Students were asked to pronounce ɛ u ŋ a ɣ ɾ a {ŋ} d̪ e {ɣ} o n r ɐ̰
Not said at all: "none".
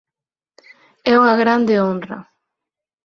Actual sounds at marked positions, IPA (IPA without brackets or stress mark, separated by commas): n, none